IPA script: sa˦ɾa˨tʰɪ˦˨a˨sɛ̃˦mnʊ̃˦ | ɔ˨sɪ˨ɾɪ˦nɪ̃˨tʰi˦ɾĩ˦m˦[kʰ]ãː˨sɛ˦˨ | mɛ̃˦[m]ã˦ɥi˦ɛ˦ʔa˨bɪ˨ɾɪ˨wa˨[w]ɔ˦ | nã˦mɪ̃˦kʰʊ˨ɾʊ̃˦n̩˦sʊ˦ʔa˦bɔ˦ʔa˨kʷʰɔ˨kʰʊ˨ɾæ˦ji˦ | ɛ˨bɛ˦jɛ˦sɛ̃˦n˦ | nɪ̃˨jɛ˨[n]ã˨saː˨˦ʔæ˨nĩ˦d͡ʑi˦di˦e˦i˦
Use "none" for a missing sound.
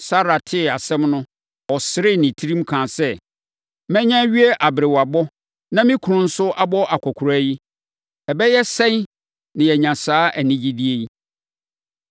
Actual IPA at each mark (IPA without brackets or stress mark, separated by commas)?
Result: kʰ, ɲ, b, ɲ